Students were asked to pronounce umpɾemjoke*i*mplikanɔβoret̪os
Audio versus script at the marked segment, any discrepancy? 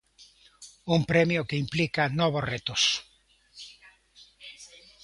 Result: no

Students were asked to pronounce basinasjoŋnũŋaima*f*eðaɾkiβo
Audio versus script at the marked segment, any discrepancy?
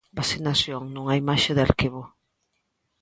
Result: yes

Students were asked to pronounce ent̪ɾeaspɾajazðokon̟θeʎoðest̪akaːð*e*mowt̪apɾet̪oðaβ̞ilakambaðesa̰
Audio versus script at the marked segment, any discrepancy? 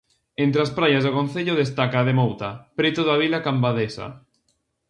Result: no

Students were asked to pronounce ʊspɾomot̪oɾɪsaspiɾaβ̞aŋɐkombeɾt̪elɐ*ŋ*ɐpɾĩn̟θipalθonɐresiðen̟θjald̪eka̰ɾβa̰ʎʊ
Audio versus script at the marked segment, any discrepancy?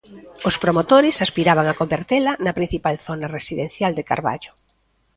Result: yes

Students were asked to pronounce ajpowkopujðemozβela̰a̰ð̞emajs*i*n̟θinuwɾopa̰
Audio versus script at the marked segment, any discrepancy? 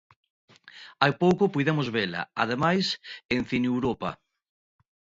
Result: yes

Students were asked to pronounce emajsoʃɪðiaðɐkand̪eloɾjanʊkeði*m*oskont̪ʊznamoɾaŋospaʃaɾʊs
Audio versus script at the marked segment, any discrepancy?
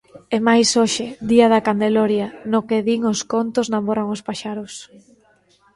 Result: yes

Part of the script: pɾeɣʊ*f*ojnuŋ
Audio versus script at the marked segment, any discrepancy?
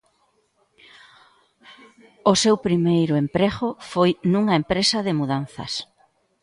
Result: no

